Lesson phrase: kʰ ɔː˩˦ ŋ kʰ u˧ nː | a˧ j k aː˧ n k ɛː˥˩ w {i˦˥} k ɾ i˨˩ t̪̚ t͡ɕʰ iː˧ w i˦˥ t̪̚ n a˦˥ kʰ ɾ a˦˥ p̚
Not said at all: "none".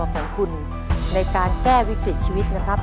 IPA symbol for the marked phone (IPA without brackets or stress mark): i˦˥